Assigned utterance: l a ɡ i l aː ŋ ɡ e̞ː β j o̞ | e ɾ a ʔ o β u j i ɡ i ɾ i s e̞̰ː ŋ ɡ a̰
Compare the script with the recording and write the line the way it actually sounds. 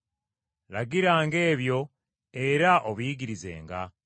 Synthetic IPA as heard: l a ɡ i ɾ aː ŋ ɡ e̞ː β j o̞ | e ɾ a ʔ o β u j i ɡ i ɾ i z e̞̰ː ŋ ɡ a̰